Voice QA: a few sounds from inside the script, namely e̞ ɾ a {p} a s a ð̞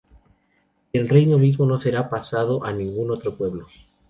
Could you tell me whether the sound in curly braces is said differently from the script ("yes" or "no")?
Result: no